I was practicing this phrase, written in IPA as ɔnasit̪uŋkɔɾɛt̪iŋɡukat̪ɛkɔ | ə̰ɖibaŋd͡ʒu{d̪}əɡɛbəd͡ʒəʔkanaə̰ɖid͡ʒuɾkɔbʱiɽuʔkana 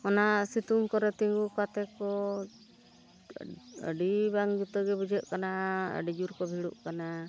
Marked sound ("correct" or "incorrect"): incorrect